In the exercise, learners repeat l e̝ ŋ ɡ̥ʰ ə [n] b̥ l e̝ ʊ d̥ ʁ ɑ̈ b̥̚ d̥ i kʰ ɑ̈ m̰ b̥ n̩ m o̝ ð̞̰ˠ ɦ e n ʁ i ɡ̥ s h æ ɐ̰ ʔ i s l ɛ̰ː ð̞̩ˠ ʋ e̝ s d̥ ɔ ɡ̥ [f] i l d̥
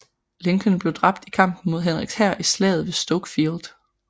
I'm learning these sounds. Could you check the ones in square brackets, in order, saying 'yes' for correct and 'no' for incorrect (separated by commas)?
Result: yes, yes